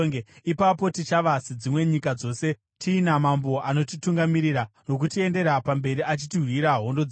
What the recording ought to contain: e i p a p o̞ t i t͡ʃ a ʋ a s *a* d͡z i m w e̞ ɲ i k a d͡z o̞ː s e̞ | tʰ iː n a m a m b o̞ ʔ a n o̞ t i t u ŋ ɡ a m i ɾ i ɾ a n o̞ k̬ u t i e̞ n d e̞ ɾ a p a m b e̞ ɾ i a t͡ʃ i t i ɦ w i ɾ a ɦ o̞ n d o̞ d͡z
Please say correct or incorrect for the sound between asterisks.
incorrect